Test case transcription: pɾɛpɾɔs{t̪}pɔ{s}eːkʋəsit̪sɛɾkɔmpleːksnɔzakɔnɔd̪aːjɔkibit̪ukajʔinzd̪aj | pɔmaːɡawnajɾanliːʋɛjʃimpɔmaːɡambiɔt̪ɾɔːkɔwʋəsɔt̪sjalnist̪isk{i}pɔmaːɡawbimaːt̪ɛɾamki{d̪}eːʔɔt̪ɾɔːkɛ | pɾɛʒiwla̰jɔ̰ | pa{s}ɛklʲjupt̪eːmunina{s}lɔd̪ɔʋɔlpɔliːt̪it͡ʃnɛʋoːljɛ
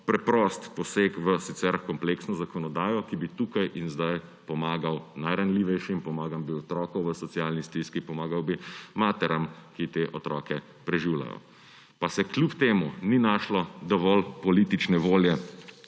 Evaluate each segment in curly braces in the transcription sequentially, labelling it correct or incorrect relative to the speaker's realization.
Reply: correct, correct, correct, incorrect: t̪, correct, incorrect: ʃ

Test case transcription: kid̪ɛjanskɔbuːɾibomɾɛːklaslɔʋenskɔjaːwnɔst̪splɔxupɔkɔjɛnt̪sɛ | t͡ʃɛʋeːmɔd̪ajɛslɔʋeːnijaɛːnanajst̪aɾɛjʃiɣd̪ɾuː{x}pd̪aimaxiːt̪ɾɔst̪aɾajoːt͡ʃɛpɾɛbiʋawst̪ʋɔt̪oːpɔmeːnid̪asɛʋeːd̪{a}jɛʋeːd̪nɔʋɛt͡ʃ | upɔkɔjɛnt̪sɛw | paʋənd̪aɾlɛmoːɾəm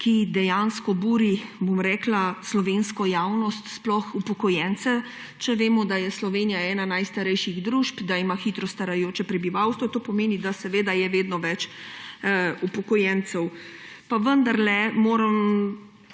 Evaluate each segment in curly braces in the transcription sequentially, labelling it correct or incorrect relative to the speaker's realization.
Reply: incorrect: ʃ, correct

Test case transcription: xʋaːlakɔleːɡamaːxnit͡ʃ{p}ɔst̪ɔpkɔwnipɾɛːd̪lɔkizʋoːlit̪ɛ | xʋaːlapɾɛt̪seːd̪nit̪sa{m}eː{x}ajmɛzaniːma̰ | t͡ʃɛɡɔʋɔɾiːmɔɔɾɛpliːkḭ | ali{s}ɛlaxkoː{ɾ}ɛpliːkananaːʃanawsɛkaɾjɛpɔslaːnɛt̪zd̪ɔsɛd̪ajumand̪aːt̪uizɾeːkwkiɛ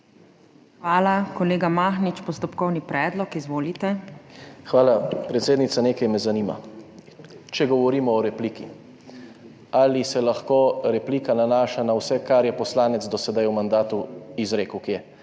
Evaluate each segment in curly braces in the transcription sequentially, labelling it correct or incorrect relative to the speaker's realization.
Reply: correct, incorrect: n, incorrect: k, correct, correct

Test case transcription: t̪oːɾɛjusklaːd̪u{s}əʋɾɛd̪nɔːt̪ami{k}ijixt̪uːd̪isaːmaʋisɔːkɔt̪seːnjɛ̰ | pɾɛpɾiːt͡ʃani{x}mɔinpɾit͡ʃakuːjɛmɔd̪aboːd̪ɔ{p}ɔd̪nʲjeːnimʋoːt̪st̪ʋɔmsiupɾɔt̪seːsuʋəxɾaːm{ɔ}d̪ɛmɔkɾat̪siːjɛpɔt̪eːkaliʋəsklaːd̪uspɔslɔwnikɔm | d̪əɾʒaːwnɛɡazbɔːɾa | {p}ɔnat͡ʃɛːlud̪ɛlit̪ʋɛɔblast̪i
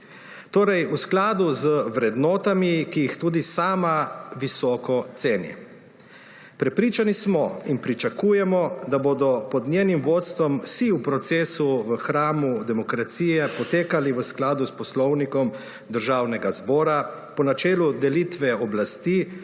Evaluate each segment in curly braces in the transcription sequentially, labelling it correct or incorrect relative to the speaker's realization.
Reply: incorrect: z, correct, incorrect: s, correct, incorrect: u, correct

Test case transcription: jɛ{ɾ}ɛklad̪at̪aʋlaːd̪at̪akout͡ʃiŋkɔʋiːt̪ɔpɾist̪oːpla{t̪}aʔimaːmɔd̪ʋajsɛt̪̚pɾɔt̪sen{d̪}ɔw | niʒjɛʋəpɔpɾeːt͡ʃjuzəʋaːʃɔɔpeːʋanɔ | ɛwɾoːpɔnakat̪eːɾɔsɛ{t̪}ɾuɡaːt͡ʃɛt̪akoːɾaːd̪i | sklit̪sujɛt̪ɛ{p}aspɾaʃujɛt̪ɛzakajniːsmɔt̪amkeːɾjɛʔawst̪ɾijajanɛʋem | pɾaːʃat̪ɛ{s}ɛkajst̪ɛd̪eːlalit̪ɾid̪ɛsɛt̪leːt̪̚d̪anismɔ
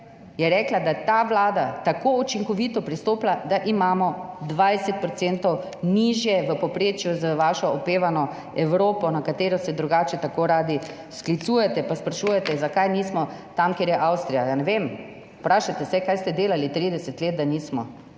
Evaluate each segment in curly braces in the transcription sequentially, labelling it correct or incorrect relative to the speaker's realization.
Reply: correct, incorrect: d̪, incorrect: t̪, incorrect: d̪, correct, correct

